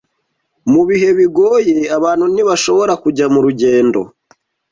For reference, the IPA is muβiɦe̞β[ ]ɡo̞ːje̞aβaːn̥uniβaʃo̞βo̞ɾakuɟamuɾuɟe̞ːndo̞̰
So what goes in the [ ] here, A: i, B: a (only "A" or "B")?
A